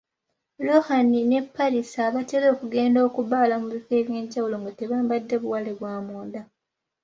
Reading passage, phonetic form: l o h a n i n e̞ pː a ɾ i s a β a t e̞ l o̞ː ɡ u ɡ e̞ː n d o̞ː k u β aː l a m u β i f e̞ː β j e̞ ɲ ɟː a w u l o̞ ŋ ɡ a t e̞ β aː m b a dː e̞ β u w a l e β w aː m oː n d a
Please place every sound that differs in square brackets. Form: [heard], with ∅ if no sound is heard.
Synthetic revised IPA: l o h a n i n e̞ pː a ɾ i s a β a t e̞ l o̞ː [k] u ɡ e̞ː n d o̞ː k u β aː l a m u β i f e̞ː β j e̞ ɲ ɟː a w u l o̞ ŋ ɡ a t e̞ β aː m b a dː e̞ β u w a l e β w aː m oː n d a